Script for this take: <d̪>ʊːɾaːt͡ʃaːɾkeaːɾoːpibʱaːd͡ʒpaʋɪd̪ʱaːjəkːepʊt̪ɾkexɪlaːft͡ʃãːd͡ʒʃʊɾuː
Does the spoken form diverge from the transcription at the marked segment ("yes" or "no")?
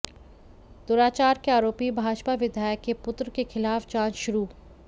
no